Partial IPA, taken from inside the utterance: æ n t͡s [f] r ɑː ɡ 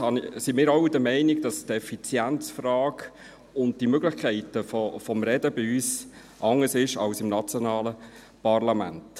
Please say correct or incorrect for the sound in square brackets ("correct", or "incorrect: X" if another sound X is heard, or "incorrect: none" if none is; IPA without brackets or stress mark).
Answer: correct